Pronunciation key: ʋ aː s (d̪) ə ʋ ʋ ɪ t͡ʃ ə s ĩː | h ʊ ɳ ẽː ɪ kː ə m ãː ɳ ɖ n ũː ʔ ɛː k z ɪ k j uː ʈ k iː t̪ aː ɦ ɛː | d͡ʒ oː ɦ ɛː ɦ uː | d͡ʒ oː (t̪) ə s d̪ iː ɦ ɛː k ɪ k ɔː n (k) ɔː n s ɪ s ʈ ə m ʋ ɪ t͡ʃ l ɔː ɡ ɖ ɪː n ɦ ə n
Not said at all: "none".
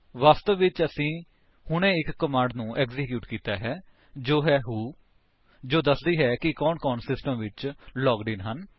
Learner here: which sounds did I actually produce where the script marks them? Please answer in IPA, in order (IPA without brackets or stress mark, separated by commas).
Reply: t̪, d̪, k